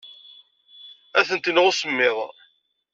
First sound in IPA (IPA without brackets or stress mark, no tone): æ